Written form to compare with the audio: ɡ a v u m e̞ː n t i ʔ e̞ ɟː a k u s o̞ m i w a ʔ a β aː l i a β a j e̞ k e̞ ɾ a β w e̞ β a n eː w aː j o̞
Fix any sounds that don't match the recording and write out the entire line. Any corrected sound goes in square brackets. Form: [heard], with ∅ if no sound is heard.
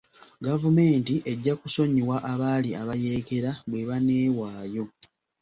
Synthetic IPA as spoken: ɡ a v u m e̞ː n t i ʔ e̞ ɟː a k u s o̞ [ɲ] i w a ʔ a β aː l i a β a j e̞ k e̞ ɾ a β w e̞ β a n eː w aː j o̞